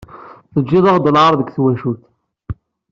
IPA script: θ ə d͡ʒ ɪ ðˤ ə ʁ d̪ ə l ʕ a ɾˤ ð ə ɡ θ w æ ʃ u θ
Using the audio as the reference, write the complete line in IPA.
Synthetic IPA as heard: θ ə d͡ʒː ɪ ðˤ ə ʁ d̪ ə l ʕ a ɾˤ ð ə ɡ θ w æ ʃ u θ